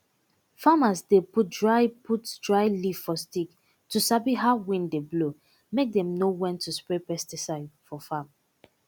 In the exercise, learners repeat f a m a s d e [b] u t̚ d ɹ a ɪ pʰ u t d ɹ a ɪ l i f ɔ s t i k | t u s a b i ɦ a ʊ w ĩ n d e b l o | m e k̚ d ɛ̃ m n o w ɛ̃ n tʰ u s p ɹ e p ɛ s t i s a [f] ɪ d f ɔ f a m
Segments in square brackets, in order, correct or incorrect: incorrect, incorrect

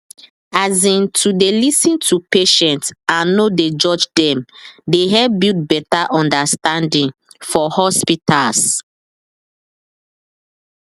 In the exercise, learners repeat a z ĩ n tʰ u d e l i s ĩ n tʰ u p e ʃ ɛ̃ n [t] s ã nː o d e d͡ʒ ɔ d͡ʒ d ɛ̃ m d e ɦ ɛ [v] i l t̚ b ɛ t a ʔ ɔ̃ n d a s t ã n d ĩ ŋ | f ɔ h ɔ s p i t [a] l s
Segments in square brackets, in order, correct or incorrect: correct, incorrect, correct

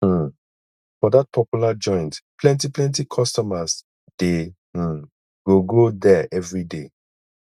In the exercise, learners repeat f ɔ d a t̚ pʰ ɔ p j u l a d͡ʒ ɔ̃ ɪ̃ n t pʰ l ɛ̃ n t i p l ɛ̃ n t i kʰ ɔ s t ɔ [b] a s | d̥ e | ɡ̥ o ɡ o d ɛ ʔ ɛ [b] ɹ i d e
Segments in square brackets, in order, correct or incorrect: incorrect, incorrect

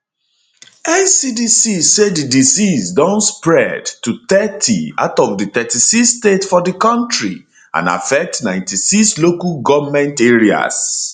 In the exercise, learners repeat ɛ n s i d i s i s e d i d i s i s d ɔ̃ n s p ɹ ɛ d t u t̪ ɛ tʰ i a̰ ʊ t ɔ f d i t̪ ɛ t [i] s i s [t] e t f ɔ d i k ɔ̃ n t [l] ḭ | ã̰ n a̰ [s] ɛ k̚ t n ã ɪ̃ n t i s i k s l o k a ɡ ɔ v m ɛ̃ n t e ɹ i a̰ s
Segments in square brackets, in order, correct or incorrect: correct, correct, incorrect, incorrect

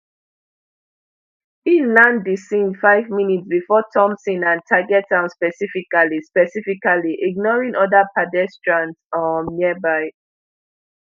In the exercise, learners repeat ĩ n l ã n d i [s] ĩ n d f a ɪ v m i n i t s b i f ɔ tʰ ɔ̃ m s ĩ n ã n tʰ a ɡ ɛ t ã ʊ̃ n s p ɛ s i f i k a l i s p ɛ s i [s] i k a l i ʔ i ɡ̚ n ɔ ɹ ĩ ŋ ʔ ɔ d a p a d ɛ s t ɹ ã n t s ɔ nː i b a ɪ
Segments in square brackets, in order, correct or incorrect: correct, incorrect

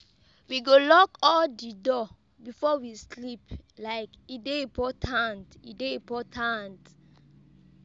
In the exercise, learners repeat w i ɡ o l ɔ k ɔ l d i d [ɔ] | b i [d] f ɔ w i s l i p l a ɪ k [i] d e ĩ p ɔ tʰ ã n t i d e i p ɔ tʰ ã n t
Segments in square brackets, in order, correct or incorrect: correct, incorrect, correct

